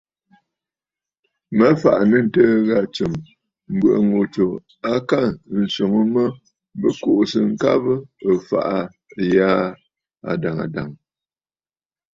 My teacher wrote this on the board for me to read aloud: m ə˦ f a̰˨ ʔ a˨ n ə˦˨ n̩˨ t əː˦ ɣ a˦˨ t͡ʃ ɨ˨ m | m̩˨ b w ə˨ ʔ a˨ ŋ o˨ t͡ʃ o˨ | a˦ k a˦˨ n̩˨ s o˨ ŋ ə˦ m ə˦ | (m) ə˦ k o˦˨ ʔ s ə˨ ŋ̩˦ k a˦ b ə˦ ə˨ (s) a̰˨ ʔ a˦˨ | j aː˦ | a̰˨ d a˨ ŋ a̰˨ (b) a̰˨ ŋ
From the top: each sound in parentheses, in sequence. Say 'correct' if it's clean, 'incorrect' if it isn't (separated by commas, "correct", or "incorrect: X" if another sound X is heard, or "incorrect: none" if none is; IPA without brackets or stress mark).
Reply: incorrect: b, incorrect: f, incorrect: d